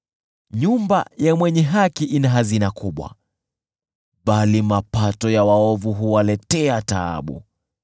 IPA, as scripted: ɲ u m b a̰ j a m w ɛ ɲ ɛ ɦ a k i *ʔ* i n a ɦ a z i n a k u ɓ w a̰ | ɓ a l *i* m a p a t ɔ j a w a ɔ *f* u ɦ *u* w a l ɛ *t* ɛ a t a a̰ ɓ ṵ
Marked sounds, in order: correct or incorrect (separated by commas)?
correct, correct, incorrect, correct, correct